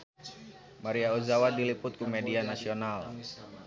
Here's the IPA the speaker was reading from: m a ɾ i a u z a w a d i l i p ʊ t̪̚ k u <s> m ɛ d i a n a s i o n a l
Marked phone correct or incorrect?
incorrect: none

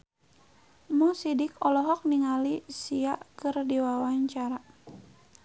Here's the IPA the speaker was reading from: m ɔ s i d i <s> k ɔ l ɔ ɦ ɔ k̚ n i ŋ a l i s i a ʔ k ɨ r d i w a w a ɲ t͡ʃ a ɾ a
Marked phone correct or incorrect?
incorrect: none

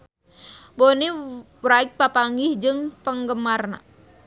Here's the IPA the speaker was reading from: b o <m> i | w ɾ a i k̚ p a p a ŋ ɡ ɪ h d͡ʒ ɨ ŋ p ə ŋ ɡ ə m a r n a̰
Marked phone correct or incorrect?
incorrect: n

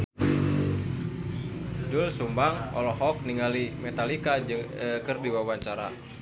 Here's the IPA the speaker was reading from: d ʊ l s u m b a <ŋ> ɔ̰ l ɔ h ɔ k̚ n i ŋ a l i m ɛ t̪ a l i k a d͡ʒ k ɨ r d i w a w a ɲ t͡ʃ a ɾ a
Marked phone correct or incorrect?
correct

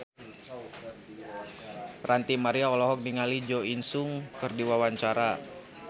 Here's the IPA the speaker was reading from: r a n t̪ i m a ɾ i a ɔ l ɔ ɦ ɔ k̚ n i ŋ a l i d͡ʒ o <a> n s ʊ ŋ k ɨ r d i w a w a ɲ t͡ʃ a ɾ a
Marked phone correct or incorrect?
incorrect: i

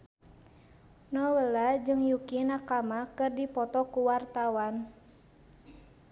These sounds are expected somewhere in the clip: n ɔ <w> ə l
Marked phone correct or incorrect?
correct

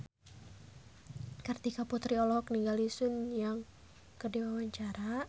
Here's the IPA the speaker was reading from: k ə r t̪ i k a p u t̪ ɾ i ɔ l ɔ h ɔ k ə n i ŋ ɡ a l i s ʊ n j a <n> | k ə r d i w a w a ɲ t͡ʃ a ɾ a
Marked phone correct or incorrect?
incorrect: ŋ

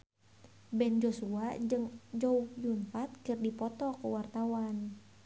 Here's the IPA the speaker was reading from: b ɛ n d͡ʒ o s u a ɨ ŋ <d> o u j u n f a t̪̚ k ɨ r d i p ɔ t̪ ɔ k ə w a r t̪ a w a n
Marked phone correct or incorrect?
incorrect: d͡ʒ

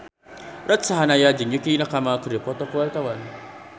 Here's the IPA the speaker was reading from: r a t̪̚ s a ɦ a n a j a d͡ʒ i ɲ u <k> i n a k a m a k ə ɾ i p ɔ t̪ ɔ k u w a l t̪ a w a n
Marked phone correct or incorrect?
correct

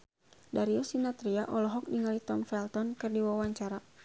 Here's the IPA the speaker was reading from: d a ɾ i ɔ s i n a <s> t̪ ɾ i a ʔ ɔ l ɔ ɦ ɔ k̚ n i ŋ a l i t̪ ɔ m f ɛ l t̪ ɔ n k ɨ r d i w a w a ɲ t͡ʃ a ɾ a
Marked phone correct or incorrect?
incorrect: none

